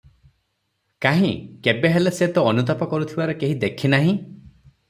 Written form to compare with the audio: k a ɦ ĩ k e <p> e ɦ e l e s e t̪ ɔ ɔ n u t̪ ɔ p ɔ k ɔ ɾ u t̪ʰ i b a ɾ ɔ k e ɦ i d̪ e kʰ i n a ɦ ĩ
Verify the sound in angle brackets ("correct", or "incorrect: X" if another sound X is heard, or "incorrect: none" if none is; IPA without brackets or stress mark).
incorrect: b